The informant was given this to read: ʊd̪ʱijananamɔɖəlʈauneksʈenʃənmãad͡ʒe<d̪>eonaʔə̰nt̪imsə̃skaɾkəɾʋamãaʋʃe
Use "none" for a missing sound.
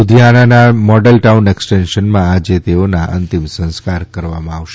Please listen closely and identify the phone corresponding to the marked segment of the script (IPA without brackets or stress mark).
t̪